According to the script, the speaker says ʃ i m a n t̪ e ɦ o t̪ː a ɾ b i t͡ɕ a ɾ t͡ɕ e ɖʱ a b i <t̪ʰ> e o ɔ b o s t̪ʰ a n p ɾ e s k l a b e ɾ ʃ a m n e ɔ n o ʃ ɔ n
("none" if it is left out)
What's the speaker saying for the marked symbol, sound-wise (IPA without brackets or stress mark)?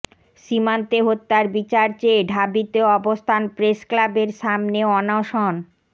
t̪